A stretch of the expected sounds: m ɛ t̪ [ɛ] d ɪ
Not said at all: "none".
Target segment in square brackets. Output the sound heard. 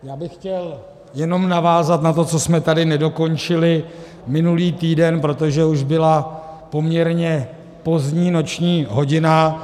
a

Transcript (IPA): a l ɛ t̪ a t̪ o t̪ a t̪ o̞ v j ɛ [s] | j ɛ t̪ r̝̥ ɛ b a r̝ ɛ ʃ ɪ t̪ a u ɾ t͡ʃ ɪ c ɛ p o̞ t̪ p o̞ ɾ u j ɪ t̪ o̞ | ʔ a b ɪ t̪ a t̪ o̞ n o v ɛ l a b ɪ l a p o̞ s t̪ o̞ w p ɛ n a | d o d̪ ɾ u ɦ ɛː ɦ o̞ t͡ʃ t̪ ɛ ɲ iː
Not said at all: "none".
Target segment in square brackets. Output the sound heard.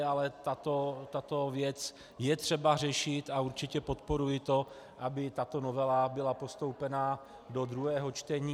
t͡s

